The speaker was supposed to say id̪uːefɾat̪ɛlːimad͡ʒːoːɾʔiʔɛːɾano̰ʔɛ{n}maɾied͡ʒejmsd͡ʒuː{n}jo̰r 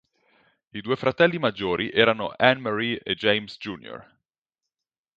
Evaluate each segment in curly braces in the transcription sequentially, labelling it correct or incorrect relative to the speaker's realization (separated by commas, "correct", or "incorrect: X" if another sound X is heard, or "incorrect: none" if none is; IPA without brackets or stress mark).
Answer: correct, correct